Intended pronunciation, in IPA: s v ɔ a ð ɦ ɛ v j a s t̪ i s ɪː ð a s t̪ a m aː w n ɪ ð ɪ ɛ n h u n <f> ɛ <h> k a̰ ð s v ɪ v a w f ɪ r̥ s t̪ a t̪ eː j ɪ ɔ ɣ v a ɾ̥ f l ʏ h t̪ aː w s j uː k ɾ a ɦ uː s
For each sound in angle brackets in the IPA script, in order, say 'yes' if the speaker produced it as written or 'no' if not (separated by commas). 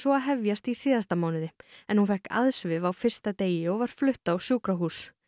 yes, yes